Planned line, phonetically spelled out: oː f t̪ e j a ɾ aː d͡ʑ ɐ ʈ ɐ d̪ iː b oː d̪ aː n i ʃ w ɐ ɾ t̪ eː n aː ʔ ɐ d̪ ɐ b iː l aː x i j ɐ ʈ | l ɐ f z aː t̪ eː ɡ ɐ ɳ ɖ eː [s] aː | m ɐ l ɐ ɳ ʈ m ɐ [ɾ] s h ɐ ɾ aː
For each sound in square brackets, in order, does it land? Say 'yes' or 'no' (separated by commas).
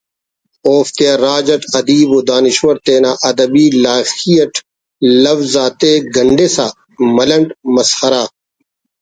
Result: yes, no